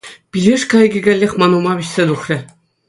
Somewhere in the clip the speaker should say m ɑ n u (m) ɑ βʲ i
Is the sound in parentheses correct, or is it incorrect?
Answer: correct